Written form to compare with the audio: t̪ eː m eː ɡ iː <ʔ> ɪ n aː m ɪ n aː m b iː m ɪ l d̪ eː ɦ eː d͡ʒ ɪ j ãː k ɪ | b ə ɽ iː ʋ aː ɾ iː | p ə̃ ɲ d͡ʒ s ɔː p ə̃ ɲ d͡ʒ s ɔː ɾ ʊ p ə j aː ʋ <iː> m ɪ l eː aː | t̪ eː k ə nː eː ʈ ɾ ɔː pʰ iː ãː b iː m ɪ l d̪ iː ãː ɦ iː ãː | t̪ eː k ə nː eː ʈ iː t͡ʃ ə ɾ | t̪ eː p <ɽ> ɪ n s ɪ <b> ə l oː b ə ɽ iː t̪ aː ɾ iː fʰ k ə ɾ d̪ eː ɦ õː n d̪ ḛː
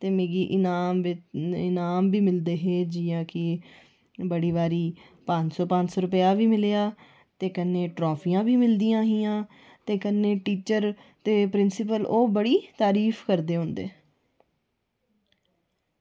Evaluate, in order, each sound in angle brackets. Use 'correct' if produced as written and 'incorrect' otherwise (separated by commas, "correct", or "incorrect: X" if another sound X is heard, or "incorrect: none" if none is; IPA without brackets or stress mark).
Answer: correct, correct, incorrect: ɾ, incorrect: p